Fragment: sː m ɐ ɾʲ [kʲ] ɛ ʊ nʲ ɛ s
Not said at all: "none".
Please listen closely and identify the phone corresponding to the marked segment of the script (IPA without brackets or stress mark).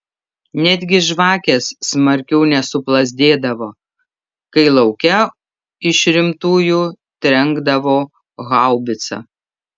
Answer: kʲ